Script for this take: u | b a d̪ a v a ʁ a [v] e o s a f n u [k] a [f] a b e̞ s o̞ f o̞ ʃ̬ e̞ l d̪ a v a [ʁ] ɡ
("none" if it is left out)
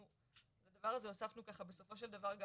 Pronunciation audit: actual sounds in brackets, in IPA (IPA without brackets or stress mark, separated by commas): z, k, χ, ʁ